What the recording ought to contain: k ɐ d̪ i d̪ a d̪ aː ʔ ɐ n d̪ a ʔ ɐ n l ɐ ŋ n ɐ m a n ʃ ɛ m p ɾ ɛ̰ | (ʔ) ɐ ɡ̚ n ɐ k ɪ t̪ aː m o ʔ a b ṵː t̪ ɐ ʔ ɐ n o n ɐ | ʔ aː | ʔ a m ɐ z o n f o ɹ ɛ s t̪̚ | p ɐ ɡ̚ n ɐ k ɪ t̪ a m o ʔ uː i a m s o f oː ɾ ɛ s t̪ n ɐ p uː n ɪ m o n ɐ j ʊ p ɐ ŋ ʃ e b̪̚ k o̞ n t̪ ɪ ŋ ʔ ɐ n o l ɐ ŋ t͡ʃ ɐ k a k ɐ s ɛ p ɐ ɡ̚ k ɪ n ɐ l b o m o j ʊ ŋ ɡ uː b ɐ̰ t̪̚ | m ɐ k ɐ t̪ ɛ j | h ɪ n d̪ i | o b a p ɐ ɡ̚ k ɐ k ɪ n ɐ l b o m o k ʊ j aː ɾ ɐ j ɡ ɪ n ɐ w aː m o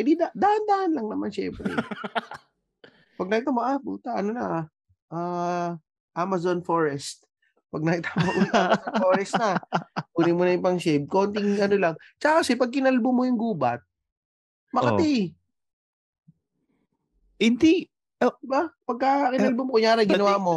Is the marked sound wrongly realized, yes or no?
yes